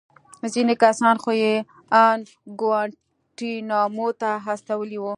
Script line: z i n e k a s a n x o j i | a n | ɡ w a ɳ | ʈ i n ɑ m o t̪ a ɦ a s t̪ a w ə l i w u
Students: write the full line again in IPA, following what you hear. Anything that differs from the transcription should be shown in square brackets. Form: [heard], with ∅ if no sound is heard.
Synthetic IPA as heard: z i n e k a s [ɑ] n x o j [e] | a n | ɡ w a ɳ | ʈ i n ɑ m o t̪ a ɦ a s t̪ a w ə l i w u